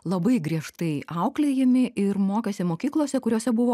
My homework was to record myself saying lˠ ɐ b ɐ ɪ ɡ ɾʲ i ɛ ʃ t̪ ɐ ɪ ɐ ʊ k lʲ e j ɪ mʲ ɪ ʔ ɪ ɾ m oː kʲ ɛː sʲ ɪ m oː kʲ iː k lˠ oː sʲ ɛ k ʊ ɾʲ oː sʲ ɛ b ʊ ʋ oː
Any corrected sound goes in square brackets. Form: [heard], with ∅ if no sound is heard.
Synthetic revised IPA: lˠ ɐ b ɐ ɪ ɡ ɾʲ i ɛ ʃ t̪ ɐ ɪ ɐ ʊ k lʲ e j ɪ mʲ ɪ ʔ ɪ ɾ m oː kʲ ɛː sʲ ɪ m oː kʲ iː k lˠ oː sʲ ɛ k ʊ ɾʲ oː sʲ ɛ b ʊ ʋ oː